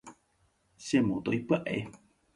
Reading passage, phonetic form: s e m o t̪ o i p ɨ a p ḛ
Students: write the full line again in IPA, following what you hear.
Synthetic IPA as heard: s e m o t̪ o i p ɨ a ʔ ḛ